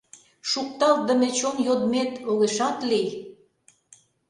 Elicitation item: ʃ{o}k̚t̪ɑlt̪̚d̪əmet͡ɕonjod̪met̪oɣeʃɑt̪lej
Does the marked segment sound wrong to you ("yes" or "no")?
yes